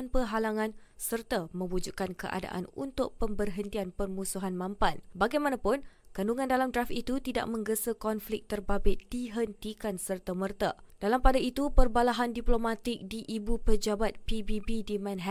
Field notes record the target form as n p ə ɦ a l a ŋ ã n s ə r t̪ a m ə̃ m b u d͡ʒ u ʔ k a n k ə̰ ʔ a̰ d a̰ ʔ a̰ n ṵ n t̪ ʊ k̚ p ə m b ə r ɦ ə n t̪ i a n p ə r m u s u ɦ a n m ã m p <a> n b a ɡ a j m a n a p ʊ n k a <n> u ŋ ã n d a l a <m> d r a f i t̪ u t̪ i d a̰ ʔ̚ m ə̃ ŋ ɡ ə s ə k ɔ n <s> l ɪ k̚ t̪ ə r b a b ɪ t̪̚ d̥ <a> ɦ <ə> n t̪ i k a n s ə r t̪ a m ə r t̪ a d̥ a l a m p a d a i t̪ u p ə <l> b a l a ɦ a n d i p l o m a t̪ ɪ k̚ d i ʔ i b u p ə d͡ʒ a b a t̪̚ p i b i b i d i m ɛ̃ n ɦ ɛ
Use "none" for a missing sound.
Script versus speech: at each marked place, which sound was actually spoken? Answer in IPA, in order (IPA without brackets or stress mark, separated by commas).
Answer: a, n, m, f, i, ə, r